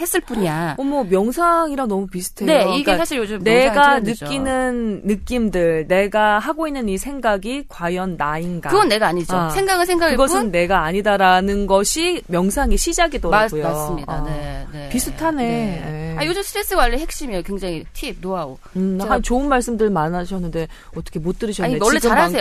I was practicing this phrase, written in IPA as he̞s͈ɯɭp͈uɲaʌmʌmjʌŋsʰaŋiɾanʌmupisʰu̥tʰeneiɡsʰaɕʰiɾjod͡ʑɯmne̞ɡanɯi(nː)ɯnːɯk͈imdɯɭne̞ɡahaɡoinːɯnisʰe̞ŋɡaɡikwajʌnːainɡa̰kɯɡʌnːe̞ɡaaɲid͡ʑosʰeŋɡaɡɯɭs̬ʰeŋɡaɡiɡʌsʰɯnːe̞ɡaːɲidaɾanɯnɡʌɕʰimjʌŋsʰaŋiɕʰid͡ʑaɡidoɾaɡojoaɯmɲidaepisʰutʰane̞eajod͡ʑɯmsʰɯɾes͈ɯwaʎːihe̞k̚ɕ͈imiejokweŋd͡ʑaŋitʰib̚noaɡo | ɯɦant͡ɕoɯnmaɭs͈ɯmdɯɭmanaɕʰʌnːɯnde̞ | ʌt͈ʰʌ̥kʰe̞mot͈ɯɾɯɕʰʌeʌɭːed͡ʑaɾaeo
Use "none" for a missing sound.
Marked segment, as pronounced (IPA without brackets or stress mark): n